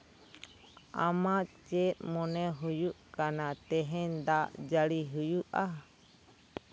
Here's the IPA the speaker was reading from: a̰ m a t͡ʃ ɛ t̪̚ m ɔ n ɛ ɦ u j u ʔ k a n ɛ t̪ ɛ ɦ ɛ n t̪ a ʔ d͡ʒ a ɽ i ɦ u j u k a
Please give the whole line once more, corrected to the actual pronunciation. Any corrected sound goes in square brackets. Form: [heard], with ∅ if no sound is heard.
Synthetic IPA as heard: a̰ m a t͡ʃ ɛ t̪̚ m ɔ n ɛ ɦ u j u ʔ k a n [a] t̪ ɛ ɦ ɛ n [d̪] a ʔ d͡ʒ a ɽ i ɦ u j u [ʔ] a